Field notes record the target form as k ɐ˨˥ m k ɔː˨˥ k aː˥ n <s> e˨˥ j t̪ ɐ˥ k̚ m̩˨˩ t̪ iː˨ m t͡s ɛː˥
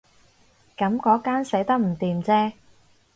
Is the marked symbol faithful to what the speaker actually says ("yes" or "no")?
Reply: yes